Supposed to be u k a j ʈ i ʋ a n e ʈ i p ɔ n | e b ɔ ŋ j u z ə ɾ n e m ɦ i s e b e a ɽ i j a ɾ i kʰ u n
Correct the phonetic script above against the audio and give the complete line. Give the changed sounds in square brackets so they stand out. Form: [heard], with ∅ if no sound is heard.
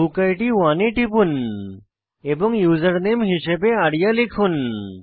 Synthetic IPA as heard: u k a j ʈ i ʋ a n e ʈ i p [u] n | e b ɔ ŋ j u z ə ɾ n e m ɦ i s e b e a ɽ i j a [l] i kʰ u n